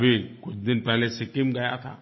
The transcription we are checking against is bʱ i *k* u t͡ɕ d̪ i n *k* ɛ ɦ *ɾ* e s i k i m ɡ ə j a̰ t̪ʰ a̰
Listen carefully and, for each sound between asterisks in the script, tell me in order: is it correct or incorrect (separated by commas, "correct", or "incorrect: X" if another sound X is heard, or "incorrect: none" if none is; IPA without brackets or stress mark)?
correct, incorrect: p, incorrect: l